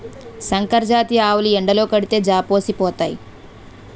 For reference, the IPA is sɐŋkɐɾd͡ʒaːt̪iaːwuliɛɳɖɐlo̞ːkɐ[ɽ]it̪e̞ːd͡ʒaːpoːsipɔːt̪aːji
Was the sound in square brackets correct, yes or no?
yes